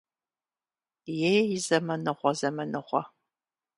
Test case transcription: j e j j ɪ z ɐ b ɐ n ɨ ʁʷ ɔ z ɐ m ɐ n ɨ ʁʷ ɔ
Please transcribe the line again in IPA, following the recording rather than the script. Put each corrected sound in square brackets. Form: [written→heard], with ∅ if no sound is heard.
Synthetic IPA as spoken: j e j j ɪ z ɐ [b→m] ɐ n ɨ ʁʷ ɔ z ɐ m ɐ n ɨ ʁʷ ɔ